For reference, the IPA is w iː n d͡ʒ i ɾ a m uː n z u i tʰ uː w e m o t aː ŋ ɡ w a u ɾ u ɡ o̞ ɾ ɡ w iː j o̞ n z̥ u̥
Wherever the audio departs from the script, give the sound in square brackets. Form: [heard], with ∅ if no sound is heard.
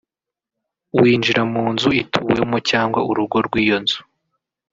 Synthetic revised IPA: w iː n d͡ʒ i ɾ a m uː n z u i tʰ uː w e m o [c] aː ŋ ɡ w a u ɾ u ɡ o̞ ɾ ɡ w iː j o̞ n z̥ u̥